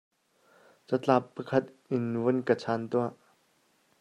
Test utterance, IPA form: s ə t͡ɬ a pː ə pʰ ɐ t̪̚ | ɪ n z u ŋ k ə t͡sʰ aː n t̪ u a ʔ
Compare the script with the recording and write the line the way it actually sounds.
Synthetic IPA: t͡s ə t͡ɬ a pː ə kʰ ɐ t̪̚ | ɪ n v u n k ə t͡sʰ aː n t̪ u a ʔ

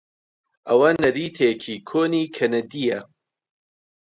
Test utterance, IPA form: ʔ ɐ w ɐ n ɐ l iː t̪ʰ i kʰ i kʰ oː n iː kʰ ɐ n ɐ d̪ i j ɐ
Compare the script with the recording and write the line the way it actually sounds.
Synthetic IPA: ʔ ɐ w ɐ n ɐ ɾ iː t̪ʰ e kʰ i kʰ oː n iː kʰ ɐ n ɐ d̪ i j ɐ

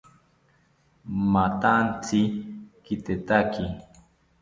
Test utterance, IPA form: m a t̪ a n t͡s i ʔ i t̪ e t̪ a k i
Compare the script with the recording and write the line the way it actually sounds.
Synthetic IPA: m a t̪ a n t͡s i k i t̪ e t̪ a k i

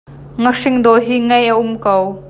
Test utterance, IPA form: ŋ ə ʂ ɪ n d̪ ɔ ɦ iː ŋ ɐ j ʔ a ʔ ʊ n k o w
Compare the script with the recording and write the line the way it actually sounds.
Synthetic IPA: ŋ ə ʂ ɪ ŋ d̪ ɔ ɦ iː ŋ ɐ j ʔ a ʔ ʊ m k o w

